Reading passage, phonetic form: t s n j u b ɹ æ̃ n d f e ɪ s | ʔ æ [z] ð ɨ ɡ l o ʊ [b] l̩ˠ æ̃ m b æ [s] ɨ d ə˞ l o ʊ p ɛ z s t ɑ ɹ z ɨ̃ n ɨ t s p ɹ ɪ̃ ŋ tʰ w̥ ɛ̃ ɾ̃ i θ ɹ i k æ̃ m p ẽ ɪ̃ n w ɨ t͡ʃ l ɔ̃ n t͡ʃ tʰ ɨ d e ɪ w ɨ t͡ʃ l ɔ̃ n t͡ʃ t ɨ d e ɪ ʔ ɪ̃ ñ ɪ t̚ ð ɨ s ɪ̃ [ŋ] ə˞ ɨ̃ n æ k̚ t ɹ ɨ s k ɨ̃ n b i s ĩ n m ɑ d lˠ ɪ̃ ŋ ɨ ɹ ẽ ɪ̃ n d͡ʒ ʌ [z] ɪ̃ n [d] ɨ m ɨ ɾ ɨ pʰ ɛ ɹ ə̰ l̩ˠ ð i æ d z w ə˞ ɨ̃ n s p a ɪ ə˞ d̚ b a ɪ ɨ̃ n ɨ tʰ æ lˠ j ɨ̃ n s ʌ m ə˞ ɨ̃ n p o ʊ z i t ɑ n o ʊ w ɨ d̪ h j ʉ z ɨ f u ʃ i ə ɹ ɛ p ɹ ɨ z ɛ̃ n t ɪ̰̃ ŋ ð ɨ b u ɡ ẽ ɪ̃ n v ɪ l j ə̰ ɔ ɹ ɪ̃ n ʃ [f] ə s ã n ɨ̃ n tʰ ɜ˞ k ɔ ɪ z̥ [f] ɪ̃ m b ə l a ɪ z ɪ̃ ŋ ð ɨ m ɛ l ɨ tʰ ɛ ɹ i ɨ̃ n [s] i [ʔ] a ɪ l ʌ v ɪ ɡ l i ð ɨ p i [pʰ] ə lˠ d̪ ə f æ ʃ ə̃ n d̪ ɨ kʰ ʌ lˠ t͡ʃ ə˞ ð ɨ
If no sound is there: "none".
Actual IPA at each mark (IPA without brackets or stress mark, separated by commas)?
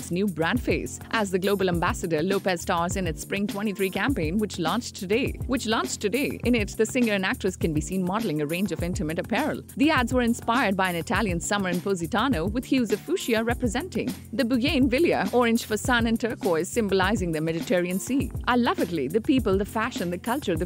z, b, s, ŋ, v, t, f, s, s, ʔ, p